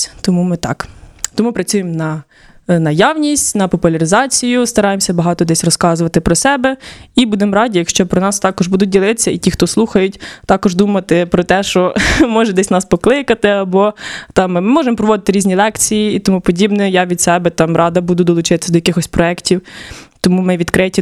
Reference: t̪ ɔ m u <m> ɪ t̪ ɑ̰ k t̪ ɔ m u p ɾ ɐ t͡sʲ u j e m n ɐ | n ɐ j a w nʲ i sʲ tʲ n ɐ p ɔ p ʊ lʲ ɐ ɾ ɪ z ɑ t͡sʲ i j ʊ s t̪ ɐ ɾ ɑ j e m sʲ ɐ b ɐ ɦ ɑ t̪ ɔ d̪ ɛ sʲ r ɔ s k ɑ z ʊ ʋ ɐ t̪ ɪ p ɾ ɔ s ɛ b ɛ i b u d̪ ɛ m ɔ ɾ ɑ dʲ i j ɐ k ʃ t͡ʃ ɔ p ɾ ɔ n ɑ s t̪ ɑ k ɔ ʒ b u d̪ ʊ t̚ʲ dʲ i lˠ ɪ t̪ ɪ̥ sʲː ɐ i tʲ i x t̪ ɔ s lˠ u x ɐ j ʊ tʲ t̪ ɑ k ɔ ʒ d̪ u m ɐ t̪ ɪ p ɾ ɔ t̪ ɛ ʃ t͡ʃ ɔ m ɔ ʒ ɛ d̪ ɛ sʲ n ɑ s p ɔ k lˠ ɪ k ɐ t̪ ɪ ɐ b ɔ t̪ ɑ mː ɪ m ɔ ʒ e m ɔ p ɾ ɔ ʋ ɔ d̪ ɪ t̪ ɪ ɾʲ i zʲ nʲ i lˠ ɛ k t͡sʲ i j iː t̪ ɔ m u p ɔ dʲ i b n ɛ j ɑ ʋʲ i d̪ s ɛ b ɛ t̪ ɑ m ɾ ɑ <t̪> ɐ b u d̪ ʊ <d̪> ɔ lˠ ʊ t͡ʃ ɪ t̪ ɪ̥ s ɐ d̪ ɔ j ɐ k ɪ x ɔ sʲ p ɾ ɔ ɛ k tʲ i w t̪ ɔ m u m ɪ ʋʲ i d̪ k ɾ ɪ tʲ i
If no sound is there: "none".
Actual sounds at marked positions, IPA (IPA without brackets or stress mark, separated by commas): m, d̪, d̪